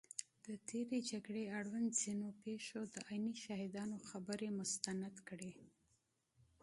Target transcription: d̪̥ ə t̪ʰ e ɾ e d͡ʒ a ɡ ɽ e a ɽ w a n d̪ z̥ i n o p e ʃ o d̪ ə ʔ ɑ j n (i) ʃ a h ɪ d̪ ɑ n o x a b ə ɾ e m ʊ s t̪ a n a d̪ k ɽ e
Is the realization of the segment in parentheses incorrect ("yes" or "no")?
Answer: no